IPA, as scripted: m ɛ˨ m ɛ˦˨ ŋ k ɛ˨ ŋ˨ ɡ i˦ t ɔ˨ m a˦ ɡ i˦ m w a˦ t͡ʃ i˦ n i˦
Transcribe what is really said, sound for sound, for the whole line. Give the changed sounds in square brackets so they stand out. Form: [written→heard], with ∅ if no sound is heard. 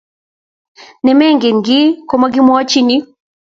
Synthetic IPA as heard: [m→n] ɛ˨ m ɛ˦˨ ŋ [k→ɡ] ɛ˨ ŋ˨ ɡ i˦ [t→k] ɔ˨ m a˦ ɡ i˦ m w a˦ t͡ʃ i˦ n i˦